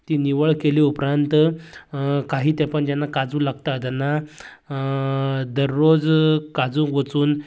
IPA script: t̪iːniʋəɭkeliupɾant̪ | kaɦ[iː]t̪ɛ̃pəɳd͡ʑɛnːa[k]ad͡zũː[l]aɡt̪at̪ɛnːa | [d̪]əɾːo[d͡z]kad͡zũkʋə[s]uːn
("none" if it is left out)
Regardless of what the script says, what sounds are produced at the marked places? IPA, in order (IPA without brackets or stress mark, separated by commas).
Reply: iː, k, l, d̪, d͡z, t͡s